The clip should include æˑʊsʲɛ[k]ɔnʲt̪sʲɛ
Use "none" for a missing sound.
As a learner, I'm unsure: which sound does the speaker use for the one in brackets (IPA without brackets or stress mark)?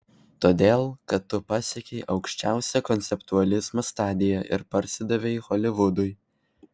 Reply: k